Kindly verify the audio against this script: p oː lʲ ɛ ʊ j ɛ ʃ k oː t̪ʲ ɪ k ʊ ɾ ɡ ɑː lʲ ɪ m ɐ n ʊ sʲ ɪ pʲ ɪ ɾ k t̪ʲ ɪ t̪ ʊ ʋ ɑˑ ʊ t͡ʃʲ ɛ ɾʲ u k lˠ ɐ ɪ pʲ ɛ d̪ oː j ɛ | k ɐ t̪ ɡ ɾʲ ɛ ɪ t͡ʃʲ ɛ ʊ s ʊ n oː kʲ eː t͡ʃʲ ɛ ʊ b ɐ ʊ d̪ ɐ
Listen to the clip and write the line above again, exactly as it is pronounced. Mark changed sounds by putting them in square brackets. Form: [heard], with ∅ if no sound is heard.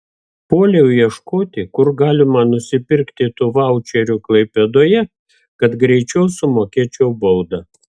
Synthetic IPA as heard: p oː lʲ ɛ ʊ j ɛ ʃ k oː t̪ʲ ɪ k ʊ ɾ ɡ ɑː lʲ ɪ m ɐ n ʊ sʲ ɪ pʲ ɪ ɾ k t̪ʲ ɪ t̪ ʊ ʋ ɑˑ ʊ t͡ʃʲ ɛ ɾʲ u k lˠ ɐ ɪ pʲ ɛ d̪ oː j ɛ | k ɐ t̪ ɡ ɾʲ ɛ ɪ t͡ʃʲ ɛ ʊ s ʊ [m] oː kʲ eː t͡ʃʲ ɛ ʊ b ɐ ʊ d̪ ɐ